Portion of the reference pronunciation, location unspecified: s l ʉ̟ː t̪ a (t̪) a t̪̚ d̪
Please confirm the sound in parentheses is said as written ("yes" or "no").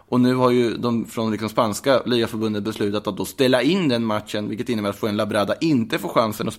yes